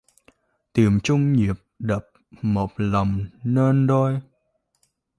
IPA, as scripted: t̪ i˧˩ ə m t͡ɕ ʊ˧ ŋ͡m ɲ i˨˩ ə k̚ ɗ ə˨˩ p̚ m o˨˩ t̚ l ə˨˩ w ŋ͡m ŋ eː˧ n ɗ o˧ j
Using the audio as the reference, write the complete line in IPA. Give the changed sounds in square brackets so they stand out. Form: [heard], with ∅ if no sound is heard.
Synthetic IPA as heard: t̪ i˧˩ ə m t͡ɕ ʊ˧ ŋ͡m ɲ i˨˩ ə [p̚] ɗ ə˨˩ p̚ m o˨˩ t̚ l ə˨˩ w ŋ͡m [n] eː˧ n ɗ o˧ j